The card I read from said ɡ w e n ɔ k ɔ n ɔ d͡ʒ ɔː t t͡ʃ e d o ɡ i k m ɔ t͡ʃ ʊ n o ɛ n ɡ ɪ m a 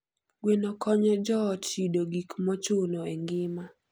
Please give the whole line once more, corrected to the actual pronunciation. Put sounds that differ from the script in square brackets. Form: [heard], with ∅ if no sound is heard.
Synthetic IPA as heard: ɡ w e n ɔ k ɔ [ɲ] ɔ d͡ʒ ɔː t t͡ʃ [i] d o ɡ i k m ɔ t͡ʃ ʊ n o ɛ [ŋ] ɡ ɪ m a